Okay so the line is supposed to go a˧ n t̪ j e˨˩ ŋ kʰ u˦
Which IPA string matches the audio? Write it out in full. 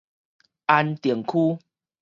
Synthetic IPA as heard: a˧ n t̪ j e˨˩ ŋ kʰ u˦